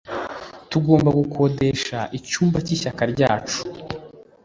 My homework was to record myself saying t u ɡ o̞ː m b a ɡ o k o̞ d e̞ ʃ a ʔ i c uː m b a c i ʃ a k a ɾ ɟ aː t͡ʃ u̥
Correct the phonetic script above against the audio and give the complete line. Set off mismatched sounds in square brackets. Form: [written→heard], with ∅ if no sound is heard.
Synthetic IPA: t u ɡ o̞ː m b a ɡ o k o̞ d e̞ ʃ a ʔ i c uː m b a c i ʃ a k a ɾ ɟ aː t͡ʃ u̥